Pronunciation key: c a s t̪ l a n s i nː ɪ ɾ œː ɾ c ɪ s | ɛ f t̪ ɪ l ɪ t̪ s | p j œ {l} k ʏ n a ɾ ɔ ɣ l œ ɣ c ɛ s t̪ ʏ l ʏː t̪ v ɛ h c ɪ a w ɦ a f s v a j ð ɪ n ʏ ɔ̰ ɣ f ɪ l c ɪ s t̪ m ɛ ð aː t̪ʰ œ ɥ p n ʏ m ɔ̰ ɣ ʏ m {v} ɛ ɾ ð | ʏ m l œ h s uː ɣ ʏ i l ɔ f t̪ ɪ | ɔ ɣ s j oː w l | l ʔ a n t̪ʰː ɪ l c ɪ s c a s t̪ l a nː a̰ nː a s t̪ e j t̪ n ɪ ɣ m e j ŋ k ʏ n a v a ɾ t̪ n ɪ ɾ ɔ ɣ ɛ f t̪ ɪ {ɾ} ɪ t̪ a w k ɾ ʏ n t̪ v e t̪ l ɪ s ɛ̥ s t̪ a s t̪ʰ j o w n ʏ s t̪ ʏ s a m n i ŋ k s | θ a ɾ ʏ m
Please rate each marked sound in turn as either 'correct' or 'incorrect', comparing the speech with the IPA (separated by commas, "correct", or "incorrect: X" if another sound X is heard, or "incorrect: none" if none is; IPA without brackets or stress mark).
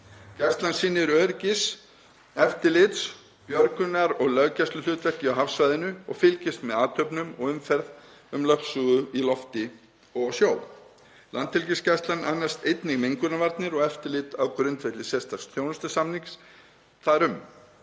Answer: incorrect: ɾ, incorrect: f, incorrect: l